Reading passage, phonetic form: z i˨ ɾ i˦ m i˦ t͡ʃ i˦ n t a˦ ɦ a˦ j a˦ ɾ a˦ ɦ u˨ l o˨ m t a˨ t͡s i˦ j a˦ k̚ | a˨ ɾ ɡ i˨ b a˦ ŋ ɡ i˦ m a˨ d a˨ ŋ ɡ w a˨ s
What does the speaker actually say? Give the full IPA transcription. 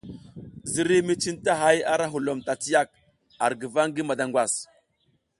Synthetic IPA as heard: z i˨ ɾ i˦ m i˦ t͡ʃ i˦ n t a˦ ɦ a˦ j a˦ ɾ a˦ ɦ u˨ l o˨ m t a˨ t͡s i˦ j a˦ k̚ | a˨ ɾ ɡ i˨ v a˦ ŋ ɡ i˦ m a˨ d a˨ ŋ ɡ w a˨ s